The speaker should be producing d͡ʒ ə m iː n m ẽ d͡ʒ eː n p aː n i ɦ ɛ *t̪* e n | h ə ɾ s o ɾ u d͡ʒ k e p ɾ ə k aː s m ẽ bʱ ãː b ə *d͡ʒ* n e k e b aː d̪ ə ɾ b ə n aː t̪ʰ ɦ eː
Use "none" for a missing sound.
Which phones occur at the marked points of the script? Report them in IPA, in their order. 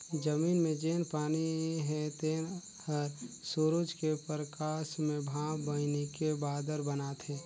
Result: t̪, none

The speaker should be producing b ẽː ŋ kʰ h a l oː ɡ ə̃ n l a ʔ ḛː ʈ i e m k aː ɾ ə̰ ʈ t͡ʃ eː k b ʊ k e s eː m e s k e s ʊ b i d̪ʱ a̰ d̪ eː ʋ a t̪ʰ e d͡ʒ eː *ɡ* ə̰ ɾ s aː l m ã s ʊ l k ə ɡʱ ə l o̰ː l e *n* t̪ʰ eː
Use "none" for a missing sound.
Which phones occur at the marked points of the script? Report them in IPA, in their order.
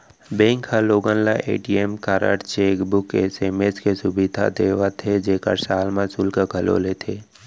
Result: k, none

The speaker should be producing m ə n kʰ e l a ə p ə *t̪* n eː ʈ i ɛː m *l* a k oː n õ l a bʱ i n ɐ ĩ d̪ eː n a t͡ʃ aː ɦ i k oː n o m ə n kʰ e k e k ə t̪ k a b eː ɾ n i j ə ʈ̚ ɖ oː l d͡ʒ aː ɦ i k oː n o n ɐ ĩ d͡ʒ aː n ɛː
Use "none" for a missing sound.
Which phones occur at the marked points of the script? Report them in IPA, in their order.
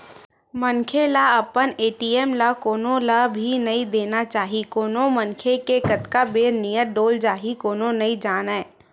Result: none, l

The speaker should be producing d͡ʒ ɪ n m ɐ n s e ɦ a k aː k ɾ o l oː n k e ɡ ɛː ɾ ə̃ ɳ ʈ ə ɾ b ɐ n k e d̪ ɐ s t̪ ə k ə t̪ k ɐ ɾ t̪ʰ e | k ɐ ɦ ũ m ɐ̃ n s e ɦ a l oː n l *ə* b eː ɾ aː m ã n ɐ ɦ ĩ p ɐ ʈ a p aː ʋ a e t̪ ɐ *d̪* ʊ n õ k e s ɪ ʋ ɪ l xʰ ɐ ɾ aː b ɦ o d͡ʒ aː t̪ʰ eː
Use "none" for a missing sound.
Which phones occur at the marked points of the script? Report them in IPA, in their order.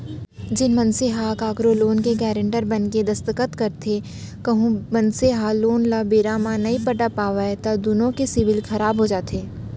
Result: a, d̪

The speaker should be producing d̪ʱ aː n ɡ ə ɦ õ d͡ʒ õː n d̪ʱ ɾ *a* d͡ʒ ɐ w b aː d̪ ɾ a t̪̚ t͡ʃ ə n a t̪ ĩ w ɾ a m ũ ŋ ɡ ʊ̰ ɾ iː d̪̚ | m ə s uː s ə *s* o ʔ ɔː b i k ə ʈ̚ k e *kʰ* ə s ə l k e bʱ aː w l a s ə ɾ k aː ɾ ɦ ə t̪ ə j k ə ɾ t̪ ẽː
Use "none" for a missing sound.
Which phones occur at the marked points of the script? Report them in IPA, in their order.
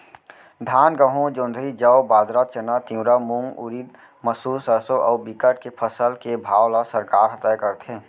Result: i, s, pʰ

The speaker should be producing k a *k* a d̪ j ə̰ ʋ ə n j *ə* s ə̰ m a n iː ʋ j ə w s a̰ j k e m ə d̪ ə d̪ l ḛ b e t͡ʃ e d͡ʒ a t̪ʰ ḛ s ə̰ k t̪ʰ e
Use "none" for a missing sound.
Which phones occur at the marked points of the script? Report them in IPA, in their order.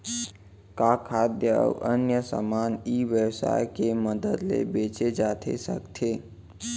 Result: kʰ, ə

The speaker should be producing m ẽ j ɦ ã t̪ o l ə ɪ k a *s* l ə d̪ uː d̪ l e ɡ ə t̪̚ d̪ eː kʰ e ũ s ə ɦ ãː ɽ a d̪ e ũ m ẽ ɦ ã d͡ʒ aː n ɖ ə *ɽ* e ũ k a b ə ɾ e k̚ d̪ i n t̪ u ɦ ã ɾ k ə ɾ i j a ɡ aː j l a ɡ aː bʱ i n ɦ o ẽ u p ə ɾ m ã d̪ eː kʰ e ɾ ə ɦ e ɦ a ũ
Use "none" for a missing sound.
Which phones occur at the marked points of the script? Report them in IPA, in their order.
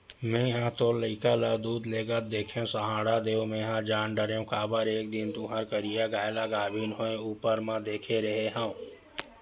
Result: none, ɾ

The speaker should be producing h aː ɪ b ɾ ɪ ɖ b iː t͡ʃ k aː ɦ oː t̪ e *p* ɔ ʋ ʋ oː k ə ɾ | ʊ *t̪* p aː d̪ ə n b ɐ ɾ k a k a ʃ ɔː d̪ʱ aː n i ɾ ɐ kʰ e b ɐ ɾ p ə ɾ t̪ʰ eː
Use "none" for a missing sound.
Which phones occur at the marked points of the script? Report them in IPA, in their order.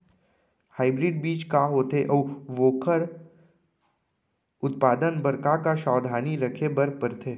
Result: ʔ, t̪

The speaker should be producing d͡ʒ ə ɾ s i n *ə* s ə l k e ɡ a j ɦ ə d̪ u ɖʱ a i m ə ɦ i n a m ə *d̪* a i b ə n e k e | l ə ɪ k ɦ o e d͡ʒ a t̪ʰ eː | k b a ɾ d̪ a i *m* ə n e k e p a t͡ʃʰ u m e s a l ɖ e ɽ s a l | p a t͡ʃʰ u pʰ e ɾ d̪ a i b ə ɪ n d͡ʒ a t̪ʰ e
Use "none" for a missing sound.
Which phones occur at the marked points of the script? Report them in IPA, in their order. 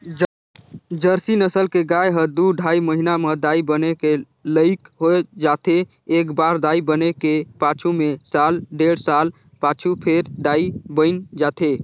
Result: ə, d̪, b

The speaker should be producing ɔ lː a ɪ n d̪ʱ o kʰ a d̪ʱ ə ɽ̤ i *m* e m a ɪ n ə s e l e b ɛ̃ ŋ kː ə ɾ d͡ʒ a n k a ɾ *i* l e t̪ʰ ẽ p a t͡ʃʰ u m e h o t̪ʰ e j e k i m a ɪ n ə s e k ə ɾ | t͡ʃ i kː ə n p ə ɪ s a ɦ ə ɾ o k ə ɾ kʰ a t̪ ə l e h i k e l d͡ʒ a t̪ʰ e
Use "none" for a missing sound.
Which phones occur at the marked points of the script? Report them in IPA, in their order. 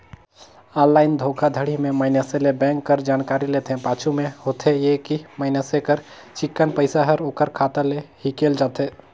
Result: m, i

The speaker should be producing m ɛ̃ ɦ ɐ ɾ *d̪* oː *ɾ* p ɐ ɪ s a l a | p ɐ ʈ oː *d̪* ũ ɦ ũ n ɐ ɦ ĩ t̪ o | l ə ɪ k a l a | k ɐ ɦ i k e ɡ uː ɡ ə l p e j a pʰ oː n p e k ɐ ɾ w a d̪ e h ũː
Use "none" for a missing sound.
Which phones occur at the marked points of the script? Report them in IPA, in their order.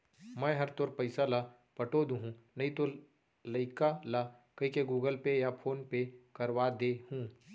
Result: t̪, ɾ, d̪

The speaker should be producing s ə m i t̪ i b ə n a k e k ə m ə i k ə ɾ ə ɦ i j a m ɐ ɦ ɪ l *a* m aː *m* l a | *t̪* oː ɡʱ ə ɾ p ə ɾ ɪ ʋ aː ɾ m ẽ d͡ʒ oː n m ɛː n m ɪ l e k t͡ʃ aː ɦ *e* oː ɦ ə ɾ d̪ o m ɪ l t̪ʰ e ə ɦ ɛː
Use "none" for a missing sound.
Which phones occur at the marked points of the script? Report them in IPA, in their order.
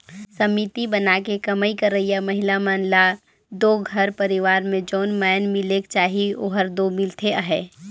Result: a, n, d̪, i

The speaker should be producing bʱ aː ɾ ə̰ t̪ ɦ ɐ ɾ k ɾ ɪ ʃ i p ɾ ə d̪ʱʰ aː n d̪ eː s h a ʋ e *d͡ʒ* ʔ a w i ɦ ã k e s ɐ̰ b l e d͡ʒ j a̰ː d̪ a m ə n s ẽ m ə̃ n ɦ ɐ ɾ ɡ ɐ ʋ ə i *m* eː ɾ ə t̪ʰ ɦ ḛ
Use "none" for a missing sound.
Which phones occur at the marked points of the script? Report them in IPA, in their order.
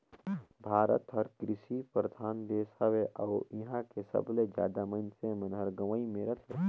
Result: none, m

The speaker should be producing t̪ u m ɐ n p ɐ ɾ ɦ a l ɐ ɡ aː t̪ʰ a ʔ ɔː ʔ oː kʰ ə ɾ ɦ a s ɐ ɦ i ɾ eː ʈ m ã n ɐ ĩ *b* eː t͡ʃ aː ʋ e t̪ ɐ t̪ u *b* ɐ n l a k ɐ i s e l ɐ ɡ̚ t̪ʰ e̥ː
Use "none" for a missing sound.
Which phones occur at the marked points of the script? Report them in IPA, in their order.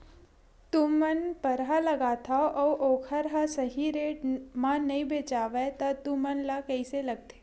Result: b, m

